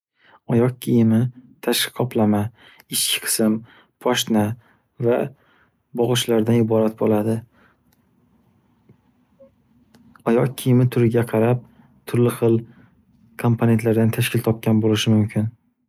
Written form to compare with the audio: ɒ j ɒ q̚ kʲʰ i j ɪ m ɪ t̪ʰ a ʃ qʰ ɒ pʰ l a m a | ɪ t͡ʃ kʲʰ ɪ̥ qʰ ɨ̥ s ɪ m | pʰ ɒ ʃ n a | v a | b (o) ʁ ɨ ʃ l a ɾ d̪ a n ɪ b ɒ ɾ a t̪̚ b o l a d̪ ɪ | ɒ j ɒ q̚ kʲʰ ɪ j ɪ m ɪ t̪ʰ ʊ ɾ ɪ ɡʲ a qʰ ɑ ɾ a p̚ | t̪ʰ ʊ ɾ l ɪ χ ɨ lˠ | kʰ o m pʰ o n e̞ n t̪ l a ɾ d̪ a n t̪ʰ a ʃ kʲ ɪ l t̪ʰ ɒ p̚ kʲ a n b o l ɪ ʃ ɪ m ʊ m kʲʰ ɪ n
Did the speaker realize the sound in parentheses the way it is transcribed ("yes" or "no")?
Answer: no